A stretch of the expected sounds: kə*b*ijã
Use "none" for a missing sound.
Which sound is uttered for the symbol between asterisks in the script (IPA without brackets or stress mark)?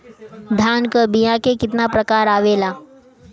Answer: b